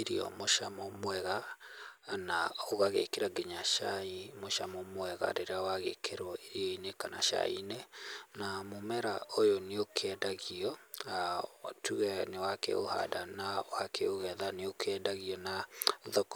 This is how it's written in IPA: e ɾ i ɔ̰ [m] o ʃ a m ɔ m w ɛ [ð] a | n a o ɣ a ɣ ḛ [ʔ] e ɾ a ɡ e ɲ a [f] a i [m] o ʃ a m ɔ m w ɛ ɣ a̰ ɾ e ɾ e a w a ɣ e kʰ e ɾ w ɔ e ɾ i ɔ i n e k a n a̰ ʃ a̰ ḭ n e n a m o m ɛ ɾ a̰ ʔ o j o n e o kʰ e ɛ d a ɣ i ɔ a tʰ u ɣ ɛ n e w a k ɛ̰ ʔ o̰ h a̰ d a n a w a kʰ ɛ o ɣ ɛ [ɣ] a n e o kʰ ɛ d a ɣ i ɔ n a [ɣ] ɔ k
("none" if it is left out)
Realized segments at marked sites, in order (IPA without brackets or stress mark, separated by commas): m, ɣ, k, ʃ, m, ð, ð